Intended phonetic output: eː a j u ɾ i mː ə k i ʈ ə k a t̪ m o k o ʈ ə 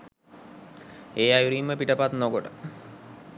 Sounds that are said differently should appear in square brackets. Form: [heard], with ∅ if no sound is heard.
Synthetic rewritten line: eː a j u ɾ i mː ə [p] i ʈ ə [p] a t̪ [n] o k o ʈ ə